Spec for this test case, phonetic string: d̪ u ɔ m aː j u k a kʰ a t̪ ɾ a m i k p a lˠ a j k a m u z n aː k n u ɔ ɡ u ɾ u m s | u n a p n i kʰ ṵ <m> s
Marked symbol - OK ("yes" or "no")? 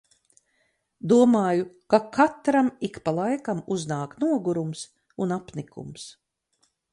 yes